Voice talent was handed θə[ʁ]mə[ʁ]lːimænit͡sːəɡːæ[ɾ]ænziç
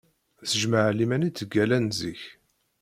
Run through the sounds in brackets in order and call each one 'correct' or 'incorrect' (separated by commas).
incorrect, incorrect, incorrect